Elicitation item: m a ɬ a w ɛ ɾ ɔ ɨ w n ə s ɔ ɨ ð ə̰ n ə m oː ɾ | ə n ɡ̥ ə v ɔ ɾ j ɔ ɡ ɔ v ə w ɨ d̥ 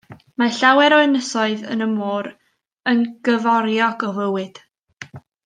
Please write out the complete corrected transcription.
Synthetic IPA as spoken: m a ɬ a w ɛ ɾ ɔ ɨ n ə s ɔ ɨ ð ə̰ n ə m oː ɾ | ə n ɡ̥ ə v ɔ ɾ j ɔ ɡ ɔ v ə w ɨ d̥